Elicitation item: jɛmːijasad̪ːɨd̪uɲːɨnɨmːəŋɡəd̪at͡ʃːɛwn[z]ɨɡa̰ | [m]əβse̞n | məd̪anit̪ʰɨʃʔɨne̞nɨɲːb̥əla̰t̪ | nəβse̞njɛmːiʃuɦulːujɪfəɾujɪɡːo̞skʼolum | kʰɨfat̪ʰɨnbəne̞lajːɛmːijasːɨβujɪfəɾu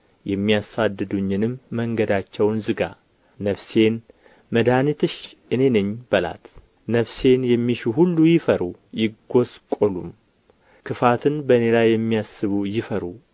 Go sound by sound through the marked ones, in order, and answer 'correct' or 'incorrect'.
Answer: correct, incorrect

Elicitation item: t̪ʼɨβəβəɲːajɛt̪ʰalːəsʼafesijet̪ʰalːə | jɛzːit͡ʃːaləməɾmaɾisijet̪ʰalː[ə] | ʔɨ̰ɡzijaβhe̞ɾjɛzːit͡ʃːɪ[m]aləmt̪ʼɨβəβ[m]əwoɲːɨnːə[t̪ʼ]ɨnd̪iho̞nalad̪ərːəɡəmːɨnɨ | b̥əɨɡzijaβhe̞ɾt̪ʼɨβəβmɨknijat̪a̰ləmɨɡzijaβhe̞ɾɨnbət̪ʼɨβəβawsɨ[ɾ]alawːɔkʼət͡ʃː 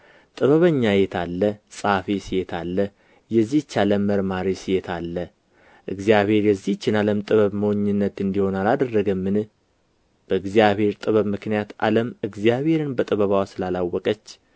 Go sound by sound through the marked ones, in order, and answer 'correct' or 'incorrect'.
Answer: correct, incorrect, correct, incorrect, incorrect

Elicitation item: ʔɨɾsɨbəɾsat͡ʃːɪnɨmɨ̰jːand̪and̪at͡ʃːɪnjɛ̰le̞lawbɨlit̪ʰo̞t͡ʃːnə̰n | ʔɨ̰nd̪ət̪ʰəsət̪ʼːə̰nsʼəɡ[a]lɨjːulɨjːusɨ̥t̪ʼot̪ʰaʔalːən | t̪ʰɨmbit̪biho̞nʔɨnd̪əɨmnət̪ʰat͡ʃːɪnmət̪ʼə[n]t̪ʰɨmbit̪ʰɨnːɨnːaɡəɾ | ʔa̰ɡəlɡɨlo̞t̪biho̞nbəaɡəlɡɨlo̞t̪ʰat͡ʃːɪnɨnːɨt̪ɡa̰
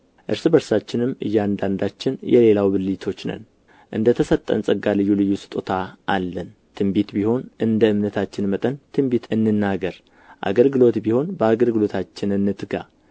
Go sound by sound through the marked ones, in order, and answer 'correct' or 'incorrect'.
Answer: correct, correct

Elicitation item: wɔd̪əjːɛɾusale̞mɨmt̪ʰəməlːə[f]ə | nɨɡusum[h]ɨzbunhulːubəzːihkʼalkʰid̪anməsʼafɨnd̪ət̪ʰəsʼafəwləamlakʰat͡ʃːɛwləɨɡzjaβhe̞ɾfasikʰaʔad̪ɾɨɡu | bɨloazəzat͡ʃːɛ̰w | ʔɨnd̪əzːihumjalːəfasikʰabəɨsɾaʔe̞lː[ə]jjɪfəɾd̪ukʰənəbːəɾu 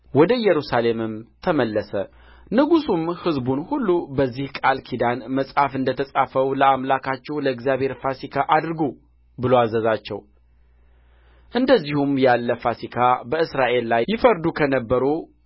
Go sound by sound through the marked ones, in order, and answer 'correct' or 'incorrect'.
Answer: incorrect, correct, incorrect

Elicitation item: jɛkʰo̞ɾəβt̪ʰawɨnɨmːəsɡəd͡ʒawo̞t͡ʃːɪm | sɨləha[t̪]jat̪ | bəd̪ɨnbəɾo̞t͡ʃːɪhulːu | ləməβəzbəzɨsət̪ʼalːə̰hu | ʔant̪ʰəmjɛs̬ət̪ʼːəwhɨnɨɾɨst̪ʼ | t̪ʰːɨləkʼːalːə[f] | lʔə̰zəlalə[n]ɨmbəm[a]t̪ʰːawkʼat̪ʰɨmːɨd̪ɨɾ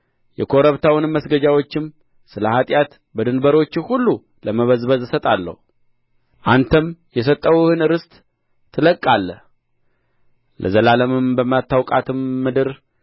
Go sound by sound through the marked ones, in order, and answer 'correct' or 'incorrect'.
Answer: incorrect, incorrect, incorrect, correct

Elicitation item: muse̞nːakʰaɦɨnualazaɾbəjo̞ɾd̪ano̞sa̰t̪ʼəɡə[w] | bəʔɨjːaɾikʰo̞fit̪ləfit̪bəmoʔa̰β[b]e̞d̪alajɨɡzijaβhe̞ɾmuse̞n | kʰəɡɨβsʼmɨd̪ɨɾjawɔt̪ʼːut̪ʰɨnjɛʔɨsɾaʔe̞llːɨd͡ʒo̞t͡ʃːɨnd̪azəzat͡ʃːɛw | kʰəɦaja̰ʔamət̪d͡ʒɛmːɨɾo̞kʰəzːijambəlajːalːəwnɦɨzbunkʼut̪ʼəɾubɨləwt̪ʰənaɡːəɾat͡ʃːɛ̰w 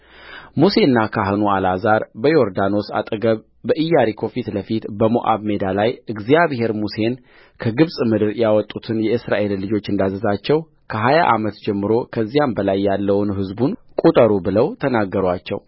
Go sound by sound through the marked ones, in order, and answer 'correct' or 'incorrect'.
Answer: incorrect, incorrect

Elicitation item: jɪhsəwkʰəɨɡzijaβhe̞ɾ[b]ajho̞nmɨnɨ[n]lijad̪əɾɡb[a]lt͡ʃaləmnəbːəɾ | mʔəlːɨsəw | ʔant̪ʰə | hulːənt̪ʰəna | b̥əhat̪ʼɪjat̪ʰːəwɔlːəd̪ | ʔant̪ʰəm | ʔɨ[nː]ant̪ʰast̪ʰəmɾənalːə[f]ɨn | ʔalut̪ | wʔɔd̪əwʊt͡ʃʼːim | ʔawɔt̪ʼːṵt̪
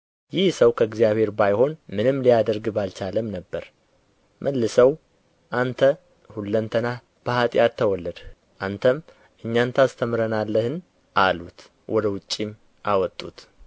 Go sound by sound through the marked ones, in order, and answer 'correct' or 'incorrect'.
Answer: correct, incorrect, correct, incorrect, incorrect

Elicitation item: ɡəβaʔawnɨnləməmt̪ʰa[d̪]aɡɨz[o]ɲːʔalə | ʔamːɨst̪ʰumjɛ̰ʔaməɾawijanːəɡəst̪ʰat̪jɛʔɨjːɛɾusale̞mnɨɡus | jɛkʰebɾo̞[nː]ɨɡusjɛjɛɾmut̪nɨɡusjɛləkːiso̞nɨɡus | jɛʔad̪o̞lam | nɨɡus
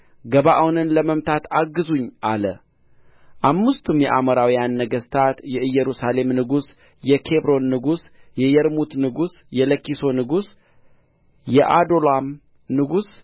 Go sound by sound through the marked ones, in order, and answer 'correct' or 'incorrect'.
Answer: incorrect, incorrect, correct

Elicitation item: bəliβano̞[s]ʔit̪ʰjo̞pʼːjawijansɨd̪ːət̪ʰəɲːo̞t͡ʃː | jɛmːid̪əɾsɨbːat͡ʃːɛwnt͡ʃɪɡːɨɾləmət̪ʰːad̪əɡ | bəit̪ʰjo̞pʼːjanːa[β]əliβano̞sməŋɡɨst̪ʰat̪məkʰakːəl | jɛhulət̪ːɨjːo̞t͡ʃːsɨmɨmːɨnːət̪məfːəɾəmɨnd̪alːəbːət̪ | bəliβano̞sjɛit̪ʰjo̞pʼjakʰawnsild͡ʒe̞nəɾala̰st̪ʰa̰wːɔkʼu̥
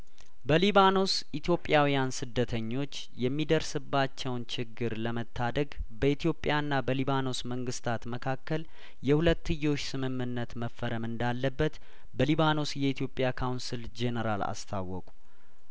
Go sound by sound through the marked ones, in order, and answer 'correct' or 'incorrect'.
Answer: correct, incorrect

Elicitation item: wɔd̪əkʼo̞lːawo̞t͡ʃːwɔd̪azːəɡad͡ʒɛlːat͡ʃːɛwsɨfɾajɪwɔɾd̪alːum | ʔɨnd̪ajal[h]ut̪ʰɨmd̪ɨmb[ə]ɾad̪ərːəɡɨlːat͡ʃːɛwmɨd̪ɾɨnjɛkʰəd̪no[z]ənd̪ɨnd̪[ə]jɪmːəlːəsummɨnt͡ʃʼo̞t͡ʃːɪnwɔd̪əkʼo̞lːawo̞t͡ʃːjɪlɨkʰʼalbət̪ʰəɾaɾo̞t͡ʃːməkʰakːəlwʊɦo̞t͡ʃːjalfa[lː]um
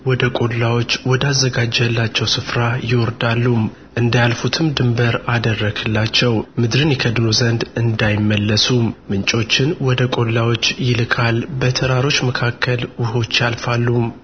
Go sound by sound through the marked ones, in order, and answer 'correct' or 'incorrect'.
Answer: incorrect, correct, correct, incorrect, correct

